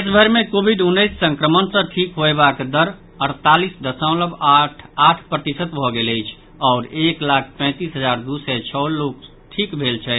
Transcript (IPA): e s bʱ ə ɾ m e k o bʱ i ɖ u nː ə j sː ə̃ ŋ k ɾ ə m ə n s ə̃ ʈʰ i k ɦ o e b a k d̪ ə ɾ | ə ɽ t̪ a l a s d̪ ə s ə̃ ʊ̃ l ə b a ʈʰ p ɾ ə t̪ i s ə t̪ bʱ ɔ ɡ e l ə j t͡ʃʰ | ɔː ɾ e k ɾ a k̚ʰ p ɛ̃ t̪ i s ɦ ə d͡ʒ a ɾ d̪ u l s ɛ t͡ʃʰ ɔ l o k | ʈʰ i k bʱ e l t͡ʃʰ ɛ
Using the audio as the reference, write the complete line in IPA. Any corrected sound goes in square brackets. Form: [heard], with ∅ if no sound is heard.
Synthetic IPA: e s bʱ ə ɾ m e k o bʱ i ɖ u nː ə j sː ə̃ ŋ k ɾ ə m ə n s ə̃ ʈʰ i k ɦ o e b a k d̪ ə ɾ | ə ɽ t̪ a l [i] s d̪ ə s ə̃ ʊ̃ l ə b a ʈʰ p ɾ ə t̪ i s ə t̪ bʱ ɔ ɡ e l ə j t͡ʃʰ | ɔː ɾ e k [l] a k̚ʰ p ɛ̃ t̪ i s ɦ ə d͡ʒ a ɾ d̪ u [∅] s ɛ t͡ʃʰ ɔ l o k | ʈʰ i k bʱ e l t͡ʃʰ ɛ